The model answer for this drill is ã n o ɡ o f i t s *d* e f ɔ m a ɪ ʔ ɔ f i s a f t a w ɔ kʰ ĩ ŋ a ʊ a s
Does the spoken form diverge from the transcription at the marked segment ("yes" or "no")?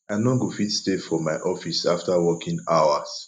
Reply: yes